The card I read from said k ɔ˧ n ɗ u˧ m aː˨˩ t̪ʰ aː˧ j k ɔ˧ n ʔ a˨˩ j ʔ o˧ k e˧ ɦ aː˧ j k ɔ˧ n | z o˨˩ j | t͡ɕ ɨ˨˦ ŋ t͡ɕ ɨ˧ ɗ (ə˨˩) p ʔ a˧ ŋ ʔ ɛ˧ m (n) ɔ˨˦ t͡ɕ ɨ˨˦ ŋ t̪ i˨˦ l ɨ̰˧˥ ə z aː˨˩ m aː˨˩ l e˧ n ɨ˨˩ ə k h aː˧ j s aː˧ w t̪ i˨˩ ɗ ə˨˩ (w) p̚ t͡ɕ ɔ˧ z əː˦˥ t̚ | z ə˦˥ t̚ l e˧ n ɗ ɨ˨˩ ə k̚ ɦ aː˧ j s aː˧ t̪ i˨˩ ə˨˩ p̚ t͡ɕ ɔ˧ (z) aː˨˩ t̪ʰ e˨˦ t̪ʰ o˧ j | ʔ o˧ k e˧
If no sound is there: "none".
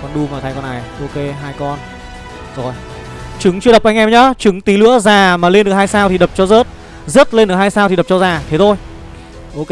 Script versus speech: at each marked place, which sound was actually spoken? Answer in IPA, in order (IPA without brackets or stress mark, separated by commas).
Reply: ə˨˩, ɲ, none, z